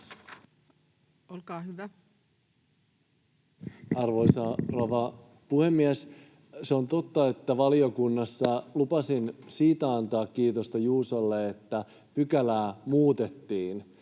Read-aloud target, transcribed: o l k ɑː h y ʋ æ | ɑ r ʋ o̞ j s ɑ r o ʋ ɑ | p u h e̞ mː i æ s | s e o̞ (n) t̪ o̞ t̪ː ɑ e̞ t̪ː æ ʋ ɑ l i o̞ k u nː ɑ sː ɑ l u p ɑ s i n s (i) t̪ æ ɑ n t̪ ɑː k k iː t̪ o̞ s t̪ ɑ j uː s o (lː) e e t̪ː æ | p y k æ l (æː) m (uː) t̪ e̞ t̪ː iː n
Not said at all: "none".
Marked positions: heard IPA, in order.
n, iː, lː, æː, uː

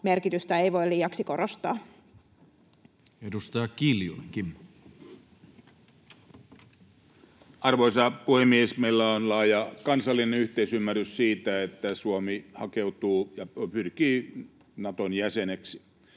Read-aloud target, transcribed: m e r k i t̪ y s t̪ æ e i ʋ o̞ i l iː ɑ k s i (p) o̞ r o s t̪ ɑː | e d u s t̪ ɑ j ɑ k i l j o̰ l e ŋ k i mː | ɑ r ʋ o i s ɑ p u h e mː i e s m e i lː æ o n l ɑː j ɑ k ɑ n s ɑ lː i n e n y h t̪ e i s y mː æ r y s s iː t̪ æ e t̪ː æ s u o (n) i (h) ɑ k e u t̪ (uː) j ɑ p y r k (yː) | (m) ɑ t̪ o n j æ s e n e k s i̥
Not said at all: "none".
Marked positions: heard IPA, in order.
k, m, h, uː, iː, n

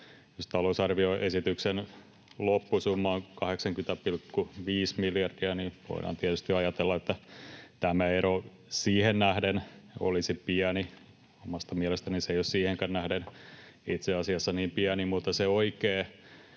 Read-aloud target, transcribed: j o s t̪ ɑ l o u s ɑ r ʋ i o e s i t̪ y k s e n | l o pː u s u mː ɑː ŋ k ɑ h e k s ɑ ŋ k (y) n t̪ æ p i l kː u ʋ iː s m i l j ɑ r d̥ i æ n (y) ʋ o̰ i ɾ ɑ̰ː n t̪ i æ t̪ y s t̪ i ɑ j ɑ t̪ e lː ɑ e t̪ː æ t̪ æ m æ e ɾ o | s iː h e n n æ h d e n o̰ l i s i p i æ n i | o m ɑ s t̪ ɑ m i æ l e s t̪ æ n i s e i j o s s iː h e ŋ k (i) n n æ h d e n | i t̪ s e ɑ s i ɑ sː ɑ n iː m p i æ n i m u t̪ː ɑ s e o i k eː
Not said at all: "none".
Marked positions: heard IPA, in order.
y, i, æ

